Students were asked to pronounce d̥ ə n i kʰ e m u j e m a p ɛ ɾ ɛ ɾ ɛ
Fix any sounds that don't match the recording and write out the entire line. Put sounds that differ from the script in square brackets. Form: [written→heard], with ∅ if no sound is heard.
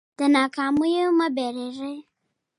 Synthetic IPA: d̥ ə n [i→a] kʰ [e→a] m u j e m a [p→b] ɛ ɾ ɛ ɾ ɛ